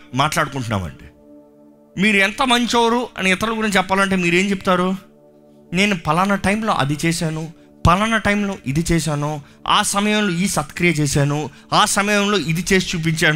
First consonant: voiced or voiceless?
voiced